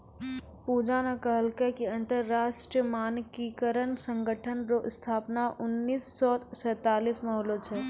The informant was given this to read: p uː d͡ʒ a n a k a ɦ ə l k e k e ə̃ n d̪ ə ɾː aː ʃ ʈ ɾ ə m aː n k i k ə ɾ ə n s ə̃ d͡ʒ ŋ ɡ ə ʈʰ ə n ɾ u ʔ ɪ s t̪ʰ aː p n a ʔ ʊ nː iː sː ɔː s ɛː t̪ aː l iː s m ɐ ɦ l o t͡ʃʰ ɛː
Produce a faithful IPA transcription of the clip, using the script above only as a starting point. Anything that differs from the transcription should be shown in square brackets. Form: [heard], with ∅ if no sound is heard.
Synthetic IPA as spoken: p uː d͡ʒ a n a k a ɦ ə l k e k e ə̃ n [t̪] ə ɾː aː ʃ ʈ ɾ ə m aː n k i k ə ɾ ə n s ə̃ [∅] ŋ ɡ ə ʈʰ ə n ɾ [o] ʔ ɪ s t̪ʰ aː p n a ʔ ʊ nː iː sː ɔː s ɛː t̪ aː l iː s m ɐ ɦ l o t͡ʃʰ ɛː